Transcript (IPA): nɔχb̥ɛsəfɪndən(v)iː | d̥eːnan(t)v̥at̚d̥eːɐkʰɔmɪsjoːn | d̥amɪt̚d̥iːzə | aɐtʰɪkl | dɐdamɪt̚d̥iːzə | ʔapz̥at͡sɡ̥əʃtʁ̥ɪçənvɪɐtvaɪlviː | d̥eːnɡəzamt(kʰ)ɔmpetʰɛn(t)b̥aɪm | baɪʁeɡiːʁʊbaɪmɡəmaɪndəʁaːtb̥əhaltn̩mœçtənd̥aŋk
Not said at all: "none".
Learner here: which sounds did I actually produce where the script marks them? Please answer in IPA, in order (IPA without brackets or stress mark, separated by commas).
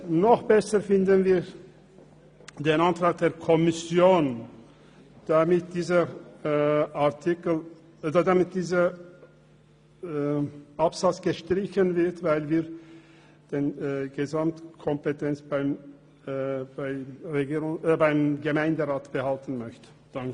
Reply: v, t, kʰ, t͡s